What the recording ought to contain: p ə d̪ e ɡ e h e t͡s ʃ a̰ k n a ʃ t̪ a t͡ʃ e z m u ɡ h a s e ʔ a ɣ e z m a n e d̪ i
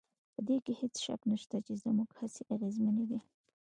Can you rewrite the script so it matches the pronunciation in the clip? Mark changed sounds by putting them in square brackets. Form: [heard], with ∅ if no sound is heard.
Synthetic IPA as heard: p ə d̪ e [k] e h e t͡s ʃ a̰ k n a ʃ t̪ a t͡ʃ e z m u ɡ h a s e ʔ a ɣ e z m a n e d̪ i